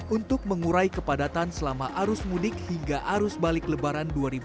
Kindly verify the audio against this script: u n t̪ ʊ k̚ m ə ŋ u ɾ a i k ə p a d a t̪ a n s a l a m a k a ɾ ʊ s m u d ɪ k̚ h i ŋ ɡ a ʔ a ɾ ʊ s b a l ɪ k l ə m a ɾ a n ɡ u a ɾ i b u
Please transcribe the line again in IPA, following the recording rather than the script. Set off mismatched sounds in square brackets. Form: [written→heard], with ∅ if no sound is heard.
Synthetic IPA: u n t̪ ʊ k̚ m ə ŋ u ɾ a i k ə p a d a t̪ a n s [a→ə] l a m a [k→ʔ] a ɾ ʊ s m u d ɪ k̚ h i ŋ ɡ a ʔ a ɾ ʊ s b a l ɪ k l ə [m→b] a ɾ a n [ɡ→d] u a ɾ i b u